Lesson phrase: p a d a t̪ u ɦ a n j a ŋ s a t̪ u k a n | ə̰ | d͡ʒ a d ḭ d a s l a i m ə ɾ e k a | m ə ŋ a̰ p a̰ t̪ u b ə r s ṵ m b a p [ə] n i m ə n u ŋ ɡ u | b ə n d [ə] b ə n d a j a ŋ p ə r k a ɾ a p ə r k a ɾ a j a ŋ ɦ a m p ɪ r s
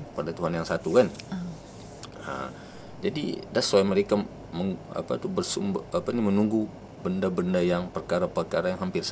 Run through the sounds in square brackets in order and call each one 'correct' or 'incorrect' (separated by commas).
incorrect, incorrect